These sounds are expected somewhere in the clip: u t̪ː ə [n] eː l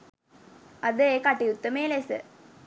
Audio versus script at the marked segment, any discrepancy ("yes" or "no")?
yes